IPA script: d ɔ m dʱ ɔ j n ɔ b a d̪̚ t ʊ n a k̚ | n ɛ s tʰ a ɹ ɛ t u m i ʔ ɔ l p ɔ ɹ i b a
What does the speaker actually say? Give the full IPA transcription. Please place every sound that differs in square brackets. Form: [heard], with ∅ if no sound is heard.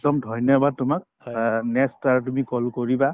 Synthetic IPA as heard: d ɔ m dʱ ɔ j n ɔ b a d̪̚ t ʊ [m] a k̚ | n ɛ s [t] a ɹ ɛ t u m i [k] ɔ l [k] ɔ ɹ i b a